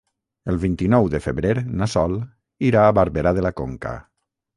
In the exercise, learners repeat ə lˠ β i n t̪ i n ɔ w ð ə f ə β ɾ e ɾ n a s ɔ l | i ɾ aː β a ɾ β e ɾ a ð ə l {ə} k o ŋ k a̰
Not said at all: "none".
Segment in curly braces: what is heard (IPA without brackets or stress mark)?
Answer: a